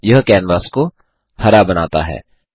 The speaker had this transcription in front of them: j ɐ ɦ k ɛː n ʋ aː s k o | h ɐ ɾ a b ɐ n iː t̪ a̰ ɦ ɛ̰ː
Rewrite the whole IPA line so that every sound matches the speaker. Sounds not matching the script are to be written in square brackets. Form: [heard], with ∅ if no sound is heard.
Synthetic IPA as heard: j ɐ ɦ k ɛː n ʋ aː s k o | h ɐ ɾ a b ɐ n [aː] t̪ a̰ ɦ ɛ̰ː